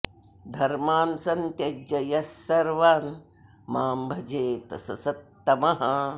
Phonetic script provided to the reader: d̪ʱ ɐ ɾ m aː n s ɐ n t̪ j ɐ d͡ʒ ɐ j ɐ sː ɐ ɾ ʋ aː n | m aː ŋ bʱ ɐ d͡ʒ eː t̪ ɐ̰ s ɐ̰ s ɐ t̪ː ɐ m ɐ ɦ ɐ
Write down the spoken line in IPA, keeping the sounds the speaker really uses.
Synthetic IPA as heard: d̪ʱ ɐ ɾ m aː n s ɐ n t̪ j ɐ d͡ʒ ɐ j ɐ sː ɐ ɾ ʋ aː n | m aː m bʱ ɐ d͡ʒ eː t̪ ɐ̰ s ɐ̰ s ɐ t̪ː ɐ m ɐ ɦ ɐ